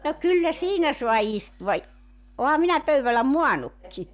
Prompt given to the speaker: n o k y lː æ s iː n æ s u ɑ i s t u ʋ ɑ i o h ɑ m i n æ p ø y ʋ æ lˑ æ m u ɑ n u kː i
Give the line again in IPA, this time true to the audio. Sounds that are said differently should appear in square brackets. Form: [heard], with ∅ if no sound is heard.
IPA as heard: n o k y lː æ s iː n æ s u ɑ i s t u ʋ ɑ i o h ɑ m i n æ p ø y ʋ æ lˑ æ m u ɑ n u kː i